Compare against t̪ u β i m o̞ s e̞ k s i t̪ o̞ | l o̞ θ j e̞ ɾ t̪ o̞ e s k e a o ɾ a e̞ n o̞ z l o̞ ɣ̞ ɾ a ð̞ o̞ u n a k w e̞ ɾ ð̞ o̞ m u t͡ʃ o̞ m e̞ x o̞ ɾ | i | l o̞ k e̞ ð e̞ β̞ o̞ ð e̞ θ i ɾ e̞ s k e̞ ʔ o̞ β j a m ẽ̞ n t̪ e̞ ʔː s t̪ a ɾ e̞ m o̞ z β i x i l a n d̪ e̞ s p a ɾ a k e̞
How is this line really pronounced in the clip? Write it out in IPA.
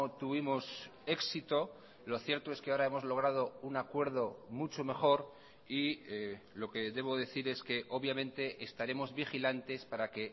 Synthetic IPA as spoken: t̪ u β i m o̞ s e̞ k s i t̪ o̞ | l o̞ θ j e̞ ɾ t̪ o̞ e s k e a o ɾ a e̞ m o̞ z l o̞ ɣ̞ ɾ a ð̞ o̞ u n a k w e̞ ɾ ð̞ o̞ m u t͡ʃ o̞ m e̞ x o̞ ɾ | i | l o̞ k e̞ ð e̞ β̞ o̞ ð e̞ θ i ɾ e̞ s k e̞ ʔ o̞ β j a m ẽ̞ n t̪ e̞ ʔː s t̪ a ɾ e̞ m o̞ z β i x i l a n t̪ e̞ s p a ɾ a k e̞